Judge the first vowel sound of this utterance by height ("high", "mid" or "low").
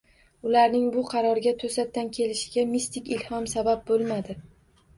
high